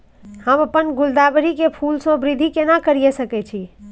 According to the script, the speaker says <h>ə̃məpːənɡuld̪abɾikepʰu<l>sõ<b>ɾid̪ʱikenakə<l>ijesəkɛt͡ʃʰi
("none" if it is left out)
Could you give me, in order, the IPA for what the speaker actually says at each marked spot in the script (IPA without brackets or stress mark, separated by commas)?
h, l, b, ɾ